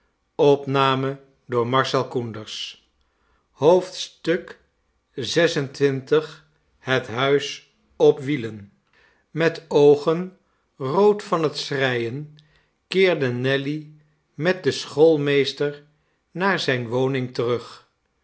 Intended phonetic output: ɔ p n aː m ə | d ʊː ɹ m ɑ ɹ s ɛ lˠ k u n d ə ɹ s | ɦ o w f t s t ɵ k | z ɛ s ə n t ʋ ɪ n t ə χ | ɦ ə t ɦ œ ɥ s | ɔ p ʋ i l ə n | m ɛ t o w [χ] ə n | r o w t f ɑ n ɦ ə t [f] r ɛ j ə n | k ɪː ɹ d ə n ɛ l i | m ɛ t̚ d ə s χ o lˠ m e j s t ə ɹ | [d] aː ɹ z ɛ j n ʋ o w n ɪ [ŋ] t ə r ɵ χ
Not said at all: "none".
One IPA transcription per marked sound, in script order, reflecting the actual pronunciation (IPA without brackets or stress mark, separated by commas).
χ, s, n, ŋ